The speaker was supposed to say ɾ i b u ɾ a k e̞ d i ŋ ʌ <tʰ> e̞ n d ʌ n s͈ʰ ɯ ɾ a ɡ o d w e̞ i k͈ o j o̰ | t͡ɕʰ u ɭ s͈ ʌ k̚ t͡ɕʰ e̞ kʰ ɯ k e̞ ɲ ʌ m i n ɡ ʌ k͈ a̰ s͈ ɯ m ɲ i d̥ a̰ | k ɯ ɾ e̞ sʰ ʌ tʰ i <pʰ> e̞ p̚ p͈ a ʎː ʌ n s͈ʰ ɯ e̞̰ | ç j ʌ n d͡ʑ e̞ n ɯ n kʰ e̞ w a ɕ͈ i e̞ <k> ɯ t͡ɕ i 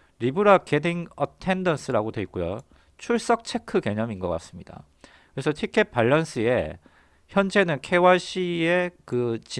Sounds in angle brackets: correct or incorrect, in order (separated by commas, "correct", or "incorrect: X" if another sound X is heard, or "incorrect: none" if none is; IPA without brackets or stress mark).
correct, incorrect: kʰ, correct